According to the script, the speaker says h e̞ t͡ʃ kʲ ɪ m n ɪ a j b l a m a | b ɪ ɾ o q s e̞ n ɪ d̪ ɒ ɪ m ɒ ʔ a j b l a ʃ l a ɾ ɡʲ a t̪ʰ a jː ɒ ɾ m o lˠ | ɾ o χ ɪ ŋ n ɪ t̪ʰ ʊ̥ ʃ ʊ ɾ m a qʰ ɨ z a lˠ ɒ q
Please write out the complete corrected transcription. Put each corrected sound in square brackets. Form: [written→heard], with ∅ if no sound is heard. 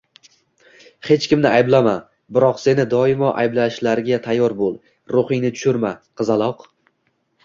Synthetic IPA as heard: h e̞ t͡ʃ kʲ ɪ m n ɪ a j b l a m a | b ɪ ɾ [o→ɒ] q s e̞ n ɪ d̪ ɒ ɪ m ɒ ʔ a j b l a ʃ l a ɾ ɡʲ a t̪ʰ a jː ɒ ɾ [m→b] o lˠ | ɾ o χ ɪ ŋ n ɪ t̪ʰ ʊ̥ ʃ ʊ ɾ m a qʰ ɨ z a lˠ ɒ q

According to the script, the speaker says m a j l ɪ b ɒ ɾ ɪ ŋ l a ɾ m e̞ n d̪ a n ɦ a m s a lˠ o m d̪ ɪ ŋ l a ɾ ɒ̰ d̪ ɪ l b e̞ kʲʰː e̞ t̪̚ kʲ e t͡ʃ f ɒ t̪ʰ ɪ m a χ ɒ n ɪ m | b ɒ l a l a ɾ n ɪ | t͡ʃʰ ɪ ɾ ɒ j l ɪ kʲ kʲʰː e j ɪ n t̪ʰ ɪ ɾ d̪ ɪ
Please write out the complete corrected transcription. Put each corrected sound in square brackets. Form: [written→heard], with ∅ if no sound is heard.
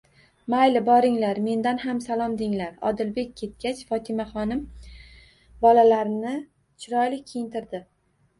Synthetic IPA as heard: m a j l ɪ b ɒ ɾ ɪ ŋ l a ɾ m e̞ n d̪ a n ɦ a m s a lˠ [o→ɒ] m d̪ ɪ ŋ l a ɾ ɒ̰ d̪ ɪ l b e̞ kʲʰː e̞ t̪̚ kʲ [e→a] t͡ʃ f ɒ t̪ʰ ɪ m a χ ɒ n ɪ m | b ɒ l a l a ɾ n ɪ | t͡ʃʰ ɪ ɾ ɒ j l ɪ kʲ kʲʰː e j ɪ n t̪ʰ ɪ ɾ d̪ ɪ

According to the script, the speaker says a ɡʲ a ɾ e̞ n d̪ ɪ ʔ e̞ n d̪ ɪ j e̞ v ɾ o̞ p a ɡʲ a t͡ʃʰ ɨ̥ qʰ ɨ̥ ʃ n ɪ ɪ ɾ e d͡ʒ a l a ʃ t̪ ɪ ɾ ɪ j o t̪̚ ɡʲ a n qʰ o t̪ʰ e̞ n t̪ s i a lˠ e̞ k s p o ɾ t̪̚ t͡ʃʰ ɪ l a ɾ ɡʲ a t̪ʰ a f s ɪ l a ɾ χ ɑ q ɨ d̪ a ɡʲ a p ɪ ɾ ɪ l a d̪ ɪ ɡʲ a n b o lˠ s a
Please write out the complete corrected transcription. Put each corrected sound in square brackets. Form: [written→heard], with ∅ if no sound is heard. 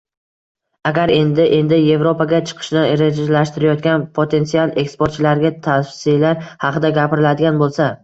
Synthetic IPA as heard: a ɡʲ a ɾ e̞ n d̪ ɪ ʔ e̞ n d̪ ɪ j e̞ v ɾ o̞ p a ɡʲ a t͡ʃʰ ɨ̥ qʰ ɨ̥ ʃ n ɪ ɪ ɾ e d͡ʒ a l a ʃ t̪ ɪ ɾ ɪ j [o→ɒ] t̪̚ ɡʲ a n [qʰ→pʰ] o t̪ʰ e̞ n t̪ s i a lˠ e̞ k s p o ɾ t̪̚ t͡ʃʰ ɪ l a ɾ ɡʲ a t̪ʰ a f s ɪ l a ɾ [χ→h] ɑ q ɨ d̪ a ɡʲ a p ɪ ɾ ɪ l a d̪ ɪ ɡʲ a n b o lˠ s a

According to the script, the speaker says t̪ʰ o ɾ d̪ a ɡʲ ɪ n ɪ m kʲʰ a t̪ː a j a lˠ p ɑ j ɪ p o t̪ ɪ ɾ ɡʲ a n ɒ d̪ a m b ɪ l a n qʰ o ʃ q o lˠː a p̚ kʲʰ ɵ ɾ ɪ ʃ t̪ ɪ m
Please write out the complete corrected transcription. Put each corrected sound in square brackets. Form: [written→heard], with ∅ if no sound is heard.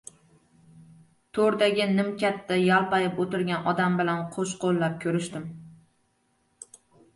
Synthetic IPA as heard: t̪ʰ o ɾ d̪ a ɡʲ ɪ n ɪ m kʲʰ a t̪ː a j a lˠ p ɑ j ɪ p o t̪ ɪ ɾ ɡʲ a n ɒ d̪ a m b ɪ l a n qʰ o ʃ q o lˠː a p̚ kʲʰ ɵ ɾ ɪ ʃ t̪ ɪ m

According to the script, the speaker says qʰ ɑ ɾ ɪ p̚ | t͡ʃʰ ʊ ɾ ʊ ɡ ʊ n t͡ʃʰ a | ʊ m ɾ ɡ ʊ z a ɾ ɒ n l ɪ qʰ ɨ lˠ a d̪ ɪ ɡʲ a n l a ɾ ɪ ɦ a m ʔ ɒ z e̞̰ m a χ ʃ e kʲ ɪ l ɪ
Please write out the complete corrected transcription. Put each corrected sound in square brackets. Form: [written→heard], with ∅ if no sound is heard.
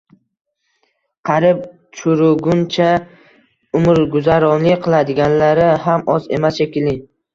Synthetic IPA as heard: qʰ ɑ ɾ ɪ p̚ | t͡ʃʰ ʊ ɾ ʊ ɡ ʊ n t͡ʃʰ a | ʊ m ɾ ɡ ʊ z a ɾ ɒ n l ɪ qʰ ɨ lˠ a d̪ ɪ ɡʲ a n l a ɾ ɪ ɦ a m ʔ ɒ z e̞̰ m a [χ→s] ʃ e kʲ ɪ l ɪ

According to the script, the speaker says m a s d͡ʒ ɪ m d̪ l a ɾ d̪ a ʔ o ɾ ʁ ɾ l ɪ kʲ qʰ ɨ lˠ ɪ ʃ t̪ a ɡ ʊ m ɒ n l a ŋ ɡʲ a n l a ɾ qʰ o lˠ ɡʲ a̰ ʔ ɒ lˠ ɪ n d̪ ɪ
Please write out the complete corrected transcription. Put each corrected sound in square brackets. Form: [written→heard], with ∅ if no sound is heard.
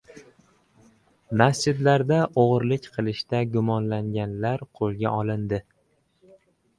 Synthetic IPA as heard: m a s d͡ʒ ɪ [m→∅] d̪ l a ɾ d̪ a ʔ o [ɾ→∅] ʁ ɾ l ɪ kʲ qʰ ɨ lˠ ɪ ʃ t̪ a ɡ ʊ m ɒ n l a ŋ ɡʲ a n l a ɾ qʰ o lˠ ɡʲ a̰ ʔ ɒ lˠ ɪ n d̪ ɪ

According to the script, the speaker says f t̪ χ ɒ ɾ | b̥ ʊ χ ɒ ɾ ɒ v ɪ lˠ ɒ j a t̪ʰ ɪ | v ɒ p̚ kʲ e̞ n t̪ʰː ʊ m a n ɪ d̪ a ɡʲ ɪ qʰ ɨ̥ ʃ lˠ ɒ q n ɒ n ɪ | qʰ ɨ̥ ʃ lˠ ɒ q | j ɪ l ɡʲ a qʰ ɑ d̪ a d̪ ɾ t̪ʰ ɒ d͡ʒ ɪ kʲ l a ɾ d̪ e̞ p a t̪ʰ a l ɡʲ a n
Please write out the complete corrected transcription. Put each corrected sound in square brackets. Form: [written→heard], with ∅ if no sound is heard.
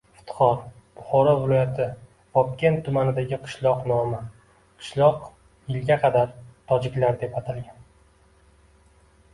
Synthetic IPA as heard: f t̪ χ ɒ ɾ | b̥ ʊ χ ɒ ɾ ɒ v ɪ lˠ ɒ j a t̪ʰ ɪ | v ɒ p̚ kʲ e̞ n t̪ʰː ʊ m a n ɪ d̪ a ɡʲ ɪ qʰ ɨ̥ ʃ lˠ ɒ q n ɒ [n→m] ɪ | qʰ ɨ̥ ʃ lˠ ɒ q | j ɪ l ɡʲ a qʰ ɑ d̪ a [d̪→∅] ɾ t̪ʰ ɒ d͡ʒ ɪ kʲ l a ɾ d̪ e̞ p a t̪ʰ a l ɡʲ a n

